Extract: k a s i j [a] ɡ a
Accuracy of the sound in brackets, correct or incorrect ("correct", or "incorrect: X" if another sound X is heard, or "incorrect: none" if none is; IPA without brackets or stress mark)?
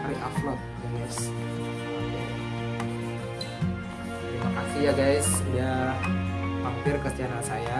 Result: correct